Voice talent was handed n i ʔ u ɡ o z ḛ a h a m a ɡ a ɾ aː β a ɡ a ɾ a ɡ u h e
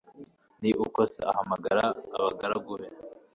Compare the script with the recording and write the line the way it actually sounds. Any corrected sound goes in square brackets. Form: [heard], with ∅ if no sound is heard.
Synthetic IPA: n i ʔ u [k] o [s] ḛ a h a m a ɡ a ɾ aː β a ɡ a ɾ a ɡ u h e